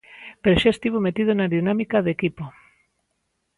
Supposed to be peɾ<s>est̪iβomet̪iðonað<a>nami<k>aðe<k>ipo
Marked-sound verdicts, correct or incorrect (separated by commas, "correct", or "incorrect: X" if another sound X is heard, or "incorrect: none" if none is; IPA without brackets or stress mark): incorrect: ʃ, incorrect: i, correct, correct